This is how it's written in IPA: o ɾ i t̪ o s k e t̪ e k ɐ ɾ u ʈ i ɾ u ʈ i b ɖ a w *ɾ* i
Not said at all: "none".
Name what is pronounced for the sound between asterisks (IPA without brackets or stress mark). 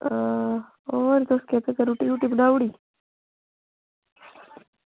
ɽ